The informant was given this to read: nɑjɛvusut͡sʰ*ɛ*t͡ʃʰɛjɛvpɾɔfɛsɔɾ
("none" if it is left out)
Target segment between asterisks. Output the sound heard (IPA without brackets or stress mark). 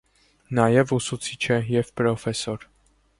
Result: i